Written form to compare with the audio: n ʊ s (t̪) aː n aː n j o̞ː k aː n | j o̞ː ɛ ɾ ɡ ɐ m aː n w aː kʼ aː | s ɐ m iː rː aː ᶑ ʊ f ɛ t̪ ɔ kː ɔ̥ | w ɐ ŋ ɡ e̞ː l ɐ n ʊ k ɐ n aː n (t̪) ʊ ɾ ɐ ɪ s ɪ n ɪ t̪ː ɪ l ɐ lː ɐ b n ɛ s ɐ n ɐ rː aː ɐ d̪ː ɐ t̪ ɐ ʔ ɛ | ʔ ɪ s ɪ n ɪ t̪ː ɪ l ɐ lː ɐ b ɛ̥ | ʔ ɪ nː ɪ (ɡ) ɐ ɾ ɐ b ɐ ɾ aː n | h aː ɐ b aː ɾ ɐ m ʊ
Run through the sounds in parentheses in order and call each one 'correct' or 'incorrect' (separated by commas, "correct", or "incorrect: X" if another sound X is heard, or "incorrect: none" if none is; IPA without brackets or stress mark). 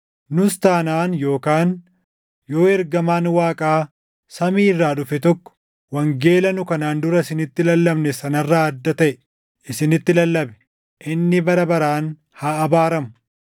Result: correct, incorrect: d̪, incorrect: b